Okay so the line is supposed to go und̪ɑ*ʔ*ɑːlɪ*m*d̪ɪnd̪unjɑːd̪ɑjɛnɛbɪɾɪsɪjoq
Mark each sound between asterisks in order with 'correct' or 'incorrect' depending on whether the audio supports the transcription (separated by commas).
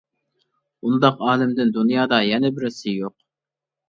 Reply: incorrect, correct